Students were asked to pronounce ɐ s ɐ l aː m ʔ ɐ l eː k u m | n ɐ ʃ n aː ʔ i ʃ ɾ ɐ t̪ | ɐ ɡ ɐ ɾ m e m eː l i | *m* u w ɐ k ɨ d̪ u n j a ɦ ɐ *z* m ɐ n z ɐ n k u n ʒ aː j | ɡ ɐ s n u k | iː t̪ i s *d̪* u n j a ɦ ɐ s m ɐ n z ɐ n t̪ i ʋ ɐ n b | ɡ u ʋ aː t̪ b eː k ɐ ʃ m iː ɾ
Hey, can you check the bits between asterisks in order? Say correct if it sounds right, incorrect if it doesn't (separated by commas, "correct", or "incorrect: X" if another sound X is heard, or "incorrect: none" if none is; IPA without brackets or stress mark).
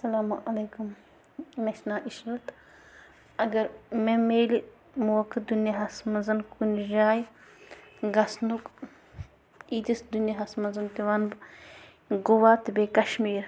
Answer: correct, incorrect: s, correct